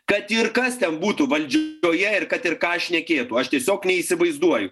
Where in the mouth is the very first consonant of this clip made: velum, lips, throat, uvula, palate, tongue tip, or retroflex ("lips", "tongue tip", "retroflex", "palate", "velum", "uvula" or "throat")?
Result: velum